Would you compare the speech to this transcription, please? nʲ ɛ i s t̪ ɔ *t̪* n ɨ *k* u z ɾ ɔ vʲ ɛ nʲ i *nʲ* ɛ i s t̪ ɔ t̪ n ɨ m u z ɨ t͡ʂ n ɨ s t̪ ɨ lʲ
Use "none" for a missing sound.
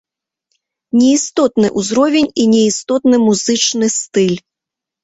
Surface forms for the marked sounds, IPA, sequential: t̪, ʔ, nʲ

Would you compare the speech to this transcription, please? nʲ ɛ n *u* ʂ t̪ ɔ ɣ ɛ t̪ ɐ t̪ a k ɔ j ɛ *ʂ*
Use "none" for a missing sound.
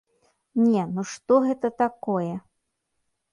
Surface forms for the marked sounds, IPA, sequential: u, none

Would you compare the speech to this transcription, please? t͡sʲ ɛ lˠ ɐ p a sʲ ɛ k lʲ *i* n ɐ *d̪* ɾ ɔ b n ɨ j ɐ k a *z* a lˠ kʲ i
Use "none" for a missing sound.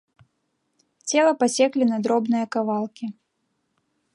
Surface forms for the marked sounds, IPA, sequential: i, d̪, v

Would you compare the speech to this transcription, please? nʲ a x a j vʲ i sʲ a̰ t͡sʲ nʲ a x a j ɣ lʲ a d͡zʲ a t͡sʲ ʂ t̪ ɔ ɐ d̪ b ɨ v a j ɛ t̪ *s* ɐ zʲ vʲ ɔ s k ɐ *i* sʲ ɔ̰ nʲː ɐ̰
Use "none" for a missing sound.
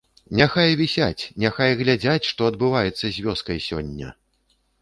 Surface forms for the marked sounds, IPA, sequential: sː, j

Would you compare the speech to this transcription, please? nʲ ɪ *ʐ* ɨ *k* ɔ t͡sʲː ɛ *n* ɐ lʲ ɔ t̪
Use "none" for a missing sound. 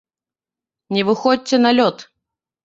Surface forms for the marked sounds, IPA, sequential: v, x, n

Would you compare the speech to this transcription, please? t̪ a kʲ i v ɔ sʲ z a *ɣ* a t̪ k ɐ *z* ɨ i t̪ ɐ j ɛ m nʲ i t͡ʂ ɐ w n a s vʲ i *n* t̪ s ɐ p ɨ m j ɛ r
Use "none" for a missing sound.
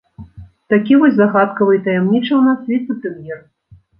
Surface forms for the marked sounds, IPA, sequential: ɣ, v, none

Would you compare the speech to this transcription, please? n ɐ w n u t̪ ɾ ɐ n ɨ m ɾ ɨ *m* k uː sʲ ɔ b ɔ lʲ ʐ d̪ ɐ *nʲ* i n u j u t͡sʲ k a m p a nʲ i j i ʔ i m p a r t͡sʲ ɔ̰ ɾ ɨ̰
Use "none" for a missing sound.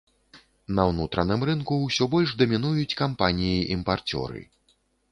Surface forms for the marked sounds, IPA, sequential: n, mʲ

